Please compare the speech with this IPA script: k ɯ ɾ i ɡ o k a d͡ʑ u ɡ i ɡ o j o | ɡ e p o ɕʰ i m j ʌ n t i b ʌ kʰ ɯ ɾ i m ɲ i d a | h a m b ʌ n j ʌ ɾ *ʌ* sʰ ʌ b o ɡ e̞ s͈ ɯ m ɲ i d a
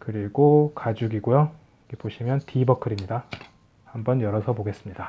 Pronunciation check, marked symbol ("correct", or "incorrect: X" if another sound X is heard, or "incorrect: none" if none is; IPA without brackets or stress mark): correct